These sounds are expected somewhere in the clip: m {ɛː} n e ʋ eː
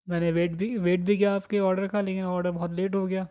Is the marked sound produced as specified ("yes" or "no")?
yes